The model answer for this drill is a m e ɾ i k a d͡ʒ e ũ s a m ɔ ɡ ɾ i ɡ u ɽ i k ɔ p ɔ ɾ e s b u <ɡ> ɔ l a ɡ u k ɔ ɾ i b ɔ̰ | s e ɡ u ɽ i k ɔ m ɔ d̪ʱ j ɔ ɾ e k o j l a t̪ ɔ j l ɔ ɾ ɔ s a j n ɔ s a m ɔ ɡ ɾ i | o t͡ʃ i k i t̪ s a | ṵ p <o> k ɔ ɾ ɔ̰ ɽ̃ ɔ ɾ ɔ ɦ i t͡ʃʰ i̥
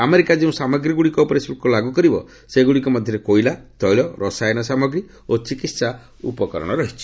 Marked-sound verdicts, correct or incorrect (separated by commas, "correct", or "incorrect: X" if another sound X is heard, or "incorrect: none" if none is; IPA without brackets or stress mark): incorrect: k, incorrect: ɔ